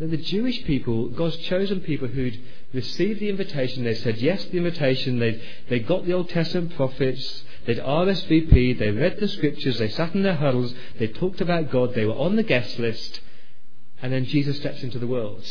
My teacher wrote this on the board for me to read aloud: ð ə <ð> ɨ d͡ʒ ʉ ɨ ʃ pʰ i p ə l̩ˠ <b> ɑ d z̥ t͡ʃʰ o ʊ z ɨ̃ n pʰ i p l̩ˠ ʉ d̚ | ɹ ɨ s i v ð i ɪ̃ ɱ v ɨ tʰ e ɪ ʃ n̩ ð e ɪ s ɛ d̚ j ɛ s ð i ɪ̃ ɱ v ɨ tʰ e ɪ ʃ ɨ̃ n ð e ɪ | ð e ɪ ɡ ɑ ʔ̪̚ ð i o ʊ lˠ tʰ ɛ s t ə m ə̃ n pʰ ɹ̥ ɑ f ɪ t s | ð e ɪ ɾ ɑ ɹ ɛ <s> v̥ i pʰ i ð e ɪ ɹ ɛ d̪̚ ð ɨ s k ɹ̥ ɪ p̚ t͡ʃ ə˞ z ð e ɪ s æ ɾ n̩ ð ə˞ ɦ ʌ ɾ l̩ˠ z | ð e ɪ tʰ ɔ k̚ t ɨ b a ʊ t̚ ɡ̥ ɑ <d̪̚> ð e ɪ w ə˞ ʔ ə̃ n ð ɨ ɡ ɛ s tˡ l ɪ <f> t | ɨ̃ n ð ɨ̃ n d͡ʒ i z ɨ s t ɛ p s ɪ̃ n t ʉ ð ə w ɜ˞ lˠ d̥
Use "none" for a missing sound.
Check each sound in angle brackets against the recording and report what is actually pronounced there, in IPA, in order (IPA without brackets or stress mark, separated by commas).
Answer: ð, ɡ, s, d̪̚, s